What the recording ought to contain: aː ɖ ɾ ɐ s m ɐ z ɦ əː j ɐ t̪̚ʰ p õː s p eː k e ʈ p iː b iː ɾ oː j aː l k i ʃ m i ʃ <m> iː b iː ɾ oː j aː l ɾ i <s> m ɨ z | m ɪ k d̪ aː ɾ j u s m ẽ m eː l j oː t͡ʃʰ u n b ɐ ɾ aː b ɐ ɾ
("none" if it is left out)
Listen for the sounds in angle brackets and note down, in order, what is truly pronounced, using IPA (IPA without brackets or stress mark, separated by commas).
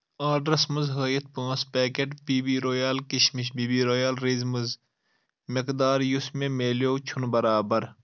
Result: b, z